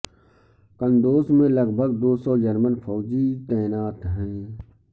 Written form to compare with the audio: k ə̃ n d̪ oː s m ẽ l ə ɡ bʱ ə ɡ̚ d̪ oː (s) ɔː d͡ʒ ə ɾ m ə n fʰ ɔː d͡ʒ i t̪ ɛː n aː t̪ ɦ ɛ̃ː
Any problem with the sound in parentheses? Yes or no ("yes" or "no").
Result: no